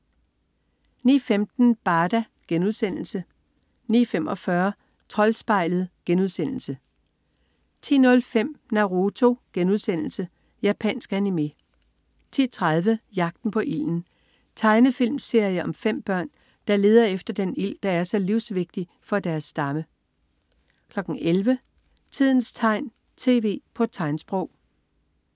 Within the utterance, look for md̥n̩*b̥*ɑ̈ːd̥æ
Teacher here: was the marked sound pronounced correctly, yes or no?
yes